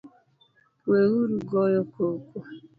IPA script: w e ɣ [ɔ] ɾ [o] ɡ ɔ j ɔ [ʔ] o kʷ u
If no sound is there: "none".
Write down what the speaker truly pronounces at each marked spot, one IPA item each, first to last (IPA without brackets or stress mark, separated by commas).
u, u, k